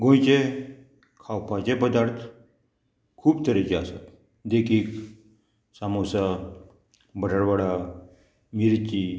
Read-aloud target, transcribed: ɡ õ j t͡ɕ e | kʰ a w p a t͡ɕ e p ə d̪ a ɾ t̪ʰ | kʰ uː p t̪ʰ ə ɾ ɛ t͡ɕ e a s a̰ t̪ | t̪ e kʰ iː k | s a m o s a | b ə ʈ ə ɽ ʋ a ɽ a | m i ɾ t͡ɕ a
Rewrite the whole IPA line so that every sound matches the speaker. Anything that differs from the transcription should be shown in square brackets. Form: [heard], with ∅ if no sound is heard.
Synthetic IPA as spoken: ɡ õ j t͡ɕ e | kʰ a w p a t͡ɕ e p ə d̪ a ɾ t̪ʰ | kʰ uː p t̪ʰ ə ɾ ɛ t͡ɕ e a s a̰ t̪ | [d̪] e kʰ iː k | s a m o s a | b ə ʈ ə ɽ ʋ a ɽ a | m i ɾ t͡ɕ [i]